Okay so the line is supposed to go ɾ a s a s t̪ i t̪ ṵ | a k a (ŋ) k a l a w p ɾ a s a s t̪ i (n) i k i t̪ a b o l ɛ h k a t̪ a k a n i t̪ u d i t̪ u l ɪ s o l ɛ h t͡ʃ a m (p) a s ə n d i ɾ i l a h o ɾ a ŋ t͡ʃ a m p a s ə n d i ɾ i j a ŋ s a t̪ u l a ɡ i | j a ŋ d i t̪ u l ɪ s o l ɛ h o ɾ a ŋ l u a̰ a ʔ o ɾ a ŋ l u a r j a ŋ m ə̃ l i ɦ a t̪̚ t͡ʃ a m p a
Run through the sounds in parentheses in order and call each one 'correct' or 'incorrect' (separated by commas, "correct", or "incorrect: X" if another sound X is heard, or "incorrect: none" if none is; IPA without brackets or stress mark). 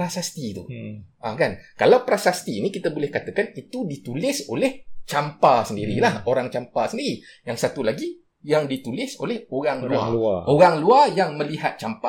incorrect: n, correct, correct